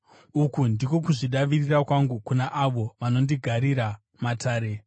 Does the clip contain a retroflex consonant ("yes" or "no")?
yes